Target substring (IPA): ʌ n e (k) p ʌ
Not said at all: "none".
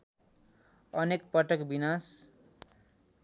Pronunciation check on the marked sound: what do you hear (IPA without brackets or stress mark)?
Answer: k